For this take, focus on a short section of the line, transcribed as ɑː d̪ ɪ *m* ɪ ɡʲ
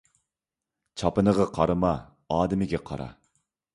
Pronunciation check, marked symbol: correct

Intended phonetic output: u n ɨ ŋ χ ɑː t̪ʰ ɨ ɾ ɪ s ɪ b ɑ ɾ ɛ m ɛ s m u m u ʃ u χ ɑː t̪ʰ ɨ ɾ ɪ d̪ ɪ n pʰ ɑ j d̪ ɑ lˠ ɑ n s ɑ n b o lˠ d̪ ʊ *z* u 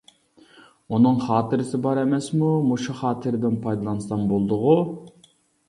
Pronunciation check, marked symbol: incorrect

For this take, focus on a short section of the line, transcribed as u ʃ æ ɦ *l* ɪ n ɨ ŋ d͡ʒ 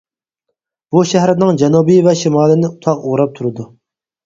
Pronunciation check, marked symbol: incorrect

